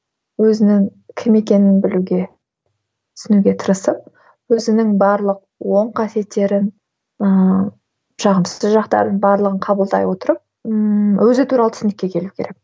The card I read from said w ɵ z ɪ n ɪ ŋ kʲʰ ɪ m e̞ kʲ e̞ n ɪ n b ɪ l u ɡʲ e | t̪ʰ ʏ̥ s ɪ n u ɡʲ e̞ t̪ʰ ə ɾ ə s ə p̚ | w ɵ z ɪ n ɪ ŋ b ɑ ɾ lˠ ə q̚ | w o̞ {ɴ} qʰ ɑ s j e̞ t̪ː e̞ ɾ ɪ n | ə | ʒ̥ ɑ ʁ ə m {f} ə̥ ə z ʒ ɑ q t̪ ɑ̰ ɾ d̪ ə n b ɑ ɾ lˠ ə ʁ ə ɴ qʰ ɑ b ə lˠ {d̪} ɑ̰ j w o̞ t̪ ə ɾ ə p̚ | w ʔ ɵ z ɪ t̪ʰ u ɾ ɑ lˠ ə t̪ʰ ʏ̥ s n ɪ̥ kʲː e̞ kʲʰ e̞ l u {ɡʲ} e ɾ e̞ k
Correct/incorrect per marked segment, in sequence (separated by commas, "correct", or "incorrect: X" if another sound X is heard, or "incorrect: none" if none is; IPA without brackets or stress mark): correct, incorrect: s, correct, incorrect: kʲ